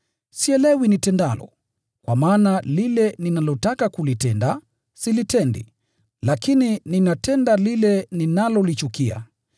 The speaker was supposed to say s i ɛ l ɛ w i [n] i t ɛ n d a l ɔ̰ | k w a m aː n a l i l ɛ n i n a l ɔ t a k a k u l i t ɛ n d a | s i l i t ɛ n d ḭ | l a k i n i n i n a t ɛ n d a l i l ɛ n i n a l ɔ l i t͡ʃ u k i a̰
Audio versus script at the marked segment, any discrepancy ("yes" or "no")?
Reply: no